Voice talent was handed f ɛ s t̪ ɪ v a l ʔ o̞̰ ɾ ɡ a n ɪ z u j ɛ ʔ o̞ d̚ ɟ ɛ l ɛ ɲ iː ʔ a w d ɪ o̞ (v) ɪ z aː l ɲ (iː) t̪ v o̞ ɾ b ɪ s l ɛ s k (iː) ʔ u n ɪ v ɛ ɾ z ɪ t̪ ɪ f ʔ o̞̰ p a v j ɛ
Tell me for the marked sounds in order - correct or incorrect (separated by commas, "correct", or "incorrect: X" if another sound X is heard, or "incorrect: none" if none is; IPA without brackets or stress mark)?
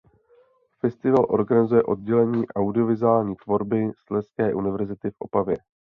correct, correct, incorrect: ɛː